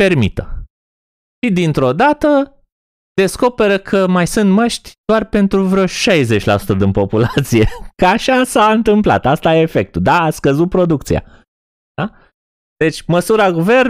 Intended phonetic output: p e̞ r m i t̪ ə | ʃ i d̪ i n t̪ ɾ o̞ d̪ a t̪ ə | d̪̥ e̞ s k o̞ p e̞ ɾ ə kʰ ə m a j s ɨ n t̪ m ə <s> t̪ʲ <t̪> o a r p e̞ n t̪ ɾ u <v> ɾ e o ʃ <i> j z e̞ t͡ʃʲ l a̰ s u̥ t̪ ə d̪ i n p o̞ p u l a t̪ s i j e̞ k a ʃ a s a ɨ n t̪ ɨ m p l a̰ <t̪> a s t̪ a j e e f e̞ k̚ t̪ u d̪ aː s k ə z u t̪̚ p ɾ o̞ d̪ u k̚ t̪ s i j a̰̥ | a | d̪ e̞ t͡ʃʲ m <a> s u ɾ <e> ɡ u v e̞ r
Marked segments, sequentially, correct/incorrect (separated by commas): incorrect, incorrect, correct, incorrect, correct, incorrect, incorrect